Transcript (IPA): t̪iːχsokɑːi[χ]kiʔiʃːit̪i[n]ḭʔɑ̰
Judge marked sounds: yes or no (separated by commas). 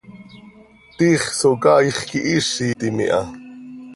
yes, no